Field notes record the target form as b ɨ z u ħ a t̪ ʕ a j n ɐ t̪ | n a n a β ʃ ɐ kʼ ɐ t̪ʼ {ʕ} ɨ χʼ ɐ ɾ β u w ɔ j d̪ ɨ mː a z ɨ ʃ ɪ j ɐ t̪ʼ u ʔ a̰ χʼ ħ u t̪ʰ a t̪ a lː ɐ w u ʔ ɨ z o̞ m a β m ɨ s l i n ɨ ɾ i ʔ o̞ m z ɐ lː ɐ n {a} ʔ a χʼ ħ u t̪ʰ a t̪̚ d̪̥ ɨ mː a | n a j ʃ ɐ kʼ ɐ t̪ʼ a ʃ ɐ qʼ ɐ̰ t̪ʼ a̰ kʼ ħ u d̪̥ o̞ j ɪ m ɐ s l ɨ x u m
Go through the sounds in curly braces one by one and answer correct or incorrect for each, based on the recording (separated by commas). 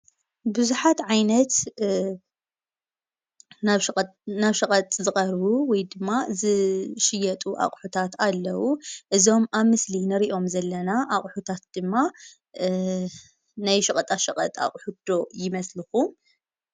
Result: incorrect, correct